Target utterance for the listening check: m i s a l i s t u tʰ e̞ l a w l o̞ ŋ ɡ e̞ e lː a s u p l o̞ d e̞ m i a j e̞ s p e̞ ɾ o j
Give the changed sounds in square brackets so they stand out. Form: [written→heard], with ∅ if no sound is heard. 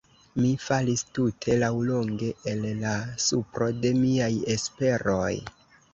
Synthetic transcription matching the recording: m i [s→f] a l i s t u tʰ e̞ l a w l o̞ ŋ ɡ e̞ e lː a s u p [l→ɾ] o̞ d e̞ m i a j e̞ s p e̞ ɾ o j